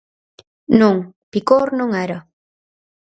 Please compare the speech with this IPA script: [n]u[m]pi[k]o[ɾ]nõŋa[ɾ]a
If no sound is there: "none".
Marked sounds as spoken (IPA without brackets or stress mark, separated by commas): n, ŋ, k, ɾ, ɾ